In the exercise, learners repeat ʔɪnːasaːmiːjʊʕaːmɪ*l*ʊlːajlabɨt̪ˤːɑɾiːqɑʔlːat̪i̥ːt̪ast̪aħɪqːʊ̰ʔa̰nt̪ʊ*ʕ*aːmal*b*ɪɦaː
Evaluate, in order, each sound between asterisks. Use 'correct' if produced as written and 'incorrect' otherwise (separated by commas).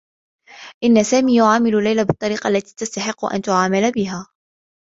correct, correct, correct